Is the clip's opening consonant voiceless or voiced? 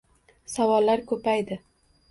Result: voiceless